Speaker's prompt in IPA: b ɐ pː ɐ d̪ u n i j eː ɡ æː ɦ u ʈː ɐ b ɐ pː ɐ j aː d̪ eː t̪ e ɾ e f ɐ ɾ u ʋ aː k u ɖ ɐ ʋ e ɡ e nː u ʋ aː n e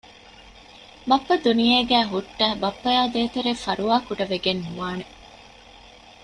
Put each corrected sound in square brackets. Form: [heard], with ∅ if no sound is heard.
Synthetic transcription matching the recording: b ɐ pː ɐ d̪ u n i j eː ɡ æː ɦ u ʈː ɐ b ɐ pː ɐ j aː d̪ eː t̪ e ɾ e f ɐ ɾ u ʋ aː k u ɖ ɐ ʋ e ɡ e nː u ʋ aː n e